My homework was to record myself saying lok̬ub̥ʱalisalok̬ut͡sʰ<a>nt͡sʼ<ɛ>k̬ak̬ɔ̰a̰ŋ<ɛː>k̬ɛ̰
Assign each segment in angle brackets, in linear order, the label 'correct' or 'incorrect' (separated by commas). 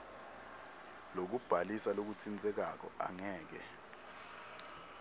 incorrect, correct, correct